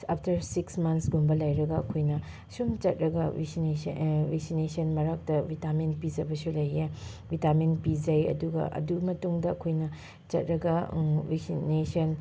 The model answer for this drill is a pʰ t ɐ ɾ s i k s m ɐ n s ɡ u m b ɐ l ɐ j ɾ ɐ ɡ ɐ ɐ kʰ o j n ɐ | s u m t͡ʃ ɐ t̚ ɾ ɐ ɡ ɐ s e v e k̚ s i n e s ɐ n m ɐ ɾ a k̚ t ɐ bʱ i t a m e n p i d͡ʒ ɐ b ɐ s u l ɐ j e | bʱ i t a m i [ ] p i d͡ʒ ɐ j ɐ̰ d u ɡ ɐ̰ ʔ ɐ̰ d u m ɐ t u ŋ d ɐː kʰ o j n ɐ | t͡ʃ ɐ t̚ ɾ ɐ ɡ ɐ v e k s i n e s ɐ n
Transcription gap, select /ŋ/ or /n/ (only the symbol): n